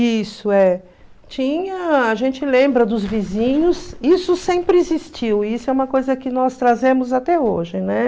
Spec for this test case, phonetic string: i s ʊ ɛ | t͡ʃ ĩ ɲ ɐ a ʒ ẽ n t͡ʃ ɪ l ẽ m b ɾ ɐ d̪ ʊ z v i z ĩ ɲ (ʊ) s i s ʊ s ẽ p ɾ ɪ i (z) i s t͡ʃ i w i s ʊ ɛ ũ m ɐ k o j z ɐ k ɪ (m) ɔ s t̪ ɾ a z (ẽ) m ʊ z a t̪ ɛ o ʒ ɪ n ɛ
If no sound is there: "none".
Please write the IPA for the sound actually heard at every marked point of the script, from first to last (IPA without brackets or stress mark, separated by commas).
ʊ, z, n, ẽ